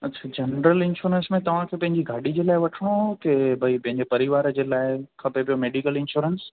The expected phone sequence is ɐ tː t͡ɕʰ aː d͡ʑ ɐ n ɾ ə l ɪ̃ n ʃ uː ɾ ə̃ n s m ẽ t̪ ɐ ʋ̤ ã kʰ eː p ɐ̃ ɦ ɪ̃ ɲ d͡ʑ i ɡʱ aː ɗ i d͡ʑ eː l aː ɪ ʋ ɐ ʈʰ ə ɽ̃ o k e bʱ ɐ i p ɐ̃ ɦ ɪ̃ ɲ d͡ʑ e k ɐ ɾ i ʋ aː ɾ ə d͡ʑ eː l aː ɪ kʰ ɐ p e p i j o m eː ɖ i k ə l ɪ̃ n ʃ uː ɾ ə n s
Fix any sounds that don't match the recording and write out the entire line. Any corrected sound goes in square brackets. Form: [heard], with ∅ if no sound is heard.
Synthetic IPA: ɐ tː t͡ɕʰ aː d͡ʑ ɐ n ɾ ə l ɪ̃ n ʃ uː ɾ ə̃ n s m ẽ t̪ ɐ ʋ̤ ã kʰ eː p ɐ̃ ɦ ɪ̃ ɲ d͡ʑ i ɡʱ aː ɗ i d͡ʑ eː l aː ɪ ʋ ɐ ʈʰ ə ɽ̃ o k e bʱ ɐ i p ɐ̃ ɦ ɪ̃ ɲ d͡ʑ e [p] ɐ ɾ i ʋ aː ɾ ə d͡ʑ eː l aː ɪ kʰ ɐ p e p i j o m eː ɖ i k ə l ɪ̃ n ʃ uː ɾ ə n s